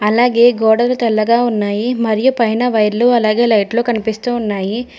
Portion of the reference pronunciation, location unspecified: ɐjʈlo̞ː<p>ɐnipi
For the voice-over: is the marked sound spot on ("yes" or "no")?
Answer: no